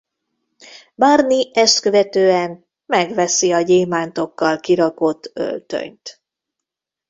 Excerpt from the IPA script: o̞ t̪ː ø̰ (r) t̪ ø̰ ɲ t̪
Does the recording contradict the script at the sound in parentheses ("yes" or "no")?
yes